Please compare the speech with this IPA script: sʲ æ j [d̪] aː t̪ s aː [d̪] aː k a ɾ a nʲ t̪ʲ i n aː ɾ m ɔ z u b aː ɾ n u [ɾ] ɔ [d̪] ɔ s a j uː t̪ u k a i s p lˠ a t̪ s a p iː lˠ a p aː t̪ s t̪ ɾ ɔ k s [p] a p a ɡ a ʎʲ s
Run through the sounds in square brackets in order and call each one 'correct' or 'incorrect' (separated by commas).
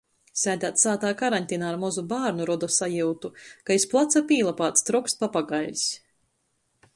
correct, incorrect, correct, correct, correct